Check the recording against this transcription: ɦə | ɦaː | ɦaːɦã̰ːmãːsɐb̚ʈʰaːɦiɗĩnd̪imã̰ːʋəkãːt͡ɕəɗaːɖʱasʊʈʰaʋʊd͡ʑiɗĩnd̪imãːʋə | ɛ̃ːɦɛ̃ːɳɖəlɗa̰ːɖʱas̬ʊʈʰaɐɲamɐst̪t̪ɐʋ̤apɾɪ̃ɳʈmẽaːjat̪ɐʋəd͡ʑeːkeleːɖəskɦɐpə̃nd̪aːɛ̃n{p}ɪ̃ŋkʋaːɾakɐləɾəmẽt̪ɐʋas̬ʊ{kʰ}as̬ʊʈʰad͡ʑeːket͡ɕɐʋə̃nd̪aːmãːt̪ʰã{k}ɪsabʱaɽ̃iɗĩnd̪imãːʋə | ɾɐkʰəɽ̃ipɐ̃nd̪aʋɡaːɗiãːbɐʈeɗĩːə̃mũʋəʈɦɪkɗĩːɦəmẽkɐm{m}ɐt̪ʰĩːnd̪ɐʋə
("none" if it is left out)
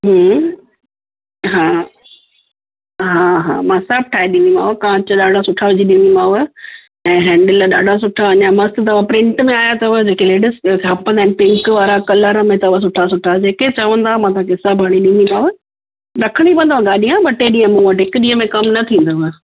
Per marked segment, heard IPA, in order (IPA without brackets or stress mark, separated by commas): p, ʈʰ, k, n